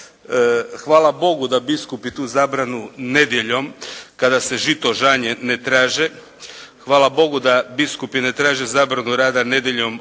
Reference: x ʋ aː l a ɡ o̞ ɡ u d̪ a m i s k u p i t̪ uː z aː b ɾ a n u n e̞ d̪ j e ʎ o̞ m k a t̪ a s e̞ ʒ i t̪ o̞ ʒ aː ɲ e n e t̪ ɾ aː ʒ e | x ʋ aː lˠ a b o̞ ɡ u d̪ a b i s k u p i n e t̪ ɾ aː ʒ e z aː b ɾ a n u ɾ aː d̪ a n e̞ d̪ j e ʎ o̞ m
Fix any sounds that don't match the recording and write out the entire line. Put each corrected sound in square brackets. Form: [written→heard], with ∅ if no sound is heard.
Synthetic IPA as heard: x ʋ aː l a [ɡ→b] o̞ ɡ u d̪ a [m→b] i s k u p i t̪ uː z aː b ɾ a n u n e̞ d̪ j e ʎ o̞ m k a [t̪→d̪] a s e̞ ʒ i t̪ o̞ ʒ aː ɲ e n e t̪ ɾ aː ʒ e | x ʋ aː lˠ a b o̞ ɡ u d̪ a b i s k u p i n e t̪ ɾ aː ʒ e z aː b ɾ a n u ɾ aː d̪ a n e̞ d̪ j e ʎ o̞ m